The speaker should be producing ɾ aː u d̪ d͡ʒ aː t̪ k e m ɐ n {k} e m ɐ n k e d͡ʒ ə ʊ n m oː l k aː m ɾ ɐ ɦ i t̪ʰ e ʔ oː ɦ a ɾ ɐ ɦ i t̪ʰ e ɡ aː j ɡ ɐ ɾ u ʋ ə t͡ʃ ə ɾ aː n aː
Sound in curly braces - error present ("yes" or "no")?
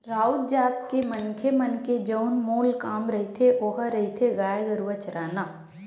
yes